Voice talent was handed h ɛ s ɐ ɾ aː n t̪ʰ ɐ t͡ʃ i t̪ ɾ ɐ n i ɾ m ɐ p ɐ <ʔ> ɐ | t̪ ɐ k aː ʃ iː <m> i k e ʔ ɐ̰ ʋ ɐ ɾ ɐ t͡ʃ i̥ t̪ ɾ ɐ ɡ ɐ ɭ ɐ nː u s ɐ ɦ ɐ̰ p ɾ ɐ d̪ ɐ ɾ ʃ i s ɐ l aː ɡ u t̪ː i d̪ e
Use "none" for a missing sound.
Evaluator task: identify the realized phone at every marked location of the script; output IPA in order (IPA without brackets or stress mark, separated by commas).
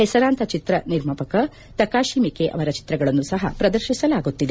k, m